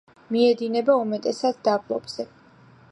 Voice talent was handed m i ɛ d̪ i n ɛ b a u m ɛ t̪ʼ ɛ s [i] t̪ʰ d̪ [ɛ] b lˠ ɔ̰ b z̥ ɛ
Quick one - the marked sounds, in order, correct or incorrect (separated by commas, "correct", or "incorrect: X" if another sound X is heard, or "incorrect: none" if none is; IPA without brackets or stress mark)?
incorrect: a, incorrect: a